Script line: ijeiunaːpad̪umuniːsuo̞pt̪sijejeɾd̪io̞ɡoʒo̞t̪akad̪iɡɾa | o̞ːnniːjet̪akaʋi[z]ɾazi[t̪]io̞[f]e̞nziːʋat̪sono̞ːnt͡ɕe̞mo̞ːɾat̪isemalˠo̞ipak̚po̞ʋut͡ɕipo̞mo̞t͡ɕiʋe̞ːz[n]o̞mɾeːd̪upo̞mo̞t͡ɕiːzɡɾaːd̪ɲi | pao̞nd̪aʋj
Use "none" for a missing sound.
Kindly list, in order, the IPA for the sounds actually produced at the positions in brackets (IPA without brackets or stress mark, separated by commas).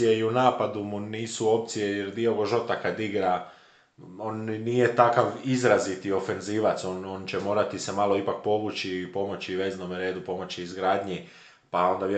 z, t̪, f, n